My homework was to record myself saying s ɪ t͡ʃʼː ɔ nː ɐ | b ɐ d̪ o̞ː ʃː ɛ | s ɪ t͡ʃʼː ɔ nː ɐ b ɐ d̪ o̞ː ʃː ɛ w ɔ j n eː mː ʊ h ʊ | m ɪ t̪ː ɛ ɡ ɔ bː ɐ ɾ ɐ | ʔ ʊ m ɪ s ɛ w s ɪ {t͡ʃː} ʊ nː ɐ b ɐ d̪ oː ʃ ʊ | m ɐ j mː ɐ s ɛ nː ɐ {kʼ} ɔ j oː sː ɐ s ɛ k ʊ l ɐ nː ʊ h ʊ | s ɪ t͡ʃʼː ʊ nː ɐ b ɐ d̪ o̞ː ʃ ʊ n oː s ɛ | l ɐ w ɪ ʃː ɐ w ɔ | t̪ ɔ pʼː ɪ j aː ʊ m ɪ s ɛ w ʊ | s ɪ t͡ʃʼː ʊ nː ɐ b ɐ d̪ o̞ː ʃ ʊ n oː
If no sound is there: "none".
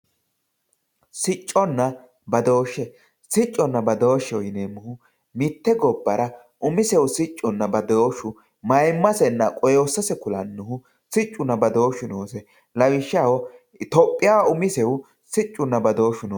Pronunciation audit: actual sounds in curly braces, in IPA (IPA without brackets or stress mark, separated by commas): t͡ʃʼː, kʼ